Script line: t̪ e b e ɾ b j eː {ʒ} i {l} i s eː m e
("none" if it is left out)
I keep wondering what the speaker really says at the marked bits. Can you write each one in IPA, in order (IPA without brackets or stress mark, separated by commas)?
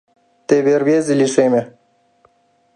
z, l